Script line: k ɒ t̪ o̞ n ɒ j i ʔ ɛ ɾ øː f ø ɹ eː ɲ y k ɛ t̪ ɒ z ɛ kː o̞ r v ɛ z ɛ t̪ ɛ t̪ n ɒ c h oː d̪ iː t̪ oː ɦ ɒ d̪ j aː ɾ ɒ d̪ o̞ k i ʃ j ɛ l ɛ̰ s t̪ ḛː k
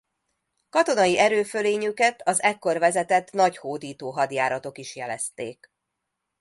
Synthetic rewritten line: k ɒ t̪ o̞ n ɒ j i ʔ ɛ ɾ øː f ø l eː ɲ y k ɛ t̪ ɒ z ɛ kː o̞ r v ɛ z ɛ t̪ ɛ t̪ n ɒ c h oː d̪ iː t̪ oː ɦ ɒ d̪ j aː ɾ ɒ t̪ o̞ k i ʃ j ɛ l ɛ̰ s t̪ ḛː k